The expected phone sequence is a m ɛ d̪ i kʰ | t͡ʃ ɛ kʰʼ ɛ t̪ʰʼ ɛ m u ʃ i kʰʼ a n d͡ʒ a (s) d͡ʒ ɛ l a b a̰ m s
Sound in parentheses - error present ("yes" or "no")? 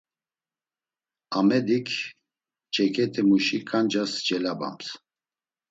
no